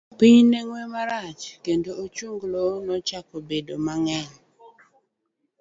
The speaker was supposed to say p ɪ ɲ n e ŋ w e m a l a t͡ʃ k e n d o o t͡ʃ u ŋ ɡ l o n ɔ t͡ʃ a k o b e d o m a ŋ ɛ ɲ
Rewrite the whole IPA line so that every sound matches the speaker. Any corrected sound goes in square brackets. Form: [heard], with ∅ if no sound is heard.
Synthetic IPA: p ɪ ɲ n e ŋ w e m a [ɾ] a t͡ʃ k e n d o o t͡ʃ u ŋ ɡ l o n ɔ t͡ʃ a k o b e d o m a ŋ ɛ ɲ